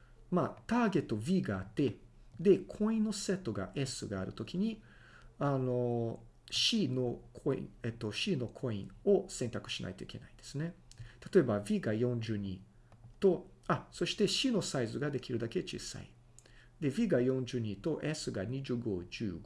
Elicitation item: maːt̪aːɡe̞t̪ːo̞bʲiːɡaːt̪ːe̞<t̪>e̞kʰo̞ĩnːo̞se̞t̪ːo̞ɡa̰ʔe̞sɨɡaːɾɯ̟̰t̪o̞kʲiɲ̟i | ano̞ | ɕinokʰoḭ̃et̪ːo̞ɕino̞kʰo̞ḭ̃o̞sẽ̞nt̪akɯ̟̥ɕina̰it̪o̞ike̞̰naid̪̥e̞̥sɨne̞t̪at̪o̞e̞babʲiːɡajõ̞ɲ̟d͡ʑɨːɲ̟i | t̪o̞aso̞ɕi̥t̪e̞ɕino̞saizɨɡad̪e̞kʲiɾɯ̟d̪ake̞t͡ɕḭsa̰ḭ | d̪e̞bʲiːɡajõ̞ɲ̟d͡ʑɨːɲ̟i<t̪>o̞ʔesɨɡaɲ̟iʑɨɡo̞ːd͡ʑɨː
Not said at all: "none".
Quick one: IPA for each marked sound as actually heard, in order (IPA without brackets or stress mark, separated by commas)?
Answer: d̪, t̪